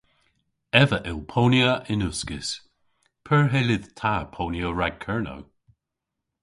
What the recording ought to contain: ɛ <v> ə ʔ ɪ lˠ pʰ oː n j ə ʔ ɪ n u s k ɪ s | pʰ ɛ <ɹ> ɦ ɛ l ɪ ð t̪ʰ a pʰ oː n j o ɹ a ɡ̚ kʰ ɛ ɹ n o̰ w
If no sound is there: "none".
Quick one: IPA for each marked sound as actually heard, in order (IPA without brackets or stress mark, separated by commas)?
v, ɹ